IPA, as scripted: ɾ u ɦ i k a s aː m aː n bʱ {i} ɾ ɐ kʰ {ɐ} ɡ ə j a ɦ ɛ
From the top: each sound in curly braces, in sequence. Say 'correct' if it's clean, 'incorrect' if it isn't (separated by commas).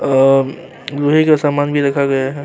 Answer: correct, incorrect